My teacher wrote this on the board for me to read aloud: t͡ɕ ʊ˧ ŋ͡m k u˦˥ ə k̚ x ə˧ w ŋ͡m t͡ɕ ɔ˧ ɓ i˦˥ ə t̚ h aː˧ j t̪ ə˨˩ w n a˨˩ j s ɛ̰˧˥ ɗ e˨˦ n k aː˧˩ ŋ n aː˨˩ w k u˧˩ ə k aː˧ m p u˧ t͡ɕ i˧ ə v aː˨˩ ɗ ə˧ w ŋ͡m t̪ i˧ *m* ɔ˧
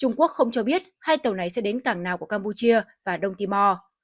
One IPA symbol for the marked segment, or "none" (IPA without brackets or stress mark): m